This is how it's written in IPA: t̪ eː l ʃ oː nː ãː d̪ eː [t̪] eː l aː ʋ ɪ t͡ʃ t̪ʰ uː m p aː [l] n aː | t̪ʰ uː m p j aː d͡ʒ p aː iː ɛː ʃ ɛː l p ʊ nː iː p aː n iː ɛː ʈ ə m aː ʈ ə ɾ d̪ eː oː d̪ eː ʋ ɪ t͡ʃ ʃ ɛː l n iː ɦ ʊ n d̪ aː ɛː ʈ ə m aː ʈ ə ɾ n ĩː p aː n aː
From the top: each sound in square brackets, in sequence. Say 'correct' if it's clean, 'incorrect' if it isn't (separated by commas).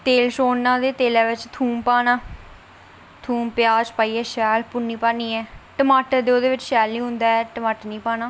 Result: correct, incorrect